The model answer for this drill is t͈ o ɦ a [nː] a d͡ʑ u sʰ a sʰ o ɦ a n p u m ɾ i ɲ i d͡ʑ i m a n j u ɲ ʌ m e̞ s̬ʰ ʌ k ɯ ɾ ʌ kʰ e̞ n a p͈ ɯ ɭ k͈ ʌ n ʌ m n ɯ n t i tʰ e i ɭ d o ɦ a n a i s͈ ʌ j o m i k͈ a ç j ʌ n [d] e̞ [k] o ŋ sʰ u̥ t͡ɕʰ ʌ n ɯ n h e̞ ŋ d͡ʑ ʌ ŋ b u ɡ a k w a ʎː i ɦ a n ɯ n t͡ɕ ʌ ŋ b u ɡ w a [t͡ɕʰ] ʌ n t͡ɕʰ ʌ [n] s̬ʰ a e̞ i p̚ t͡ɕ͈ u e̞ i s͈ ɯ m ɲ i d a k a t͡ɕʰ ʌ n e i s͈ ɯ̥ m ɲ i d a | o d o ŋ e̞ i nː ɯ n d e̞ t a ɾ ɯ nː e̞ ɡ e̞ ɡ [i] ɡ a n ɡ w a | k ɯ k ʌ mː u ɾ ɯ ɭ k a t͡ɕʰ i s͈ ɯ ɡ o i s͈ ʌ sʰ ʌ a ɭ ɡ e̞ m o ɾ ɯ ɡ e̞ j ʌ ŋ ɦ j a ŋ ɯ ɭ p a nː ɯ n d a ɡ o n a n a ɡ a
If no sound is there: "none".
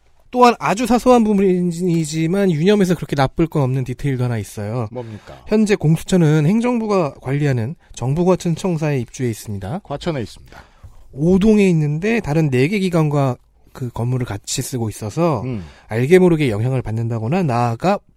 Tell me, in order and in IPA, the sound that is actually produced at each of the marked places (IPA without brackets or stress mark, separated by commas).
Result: n, d͡ʑ, k, t͡ɕʰ, ŋ, i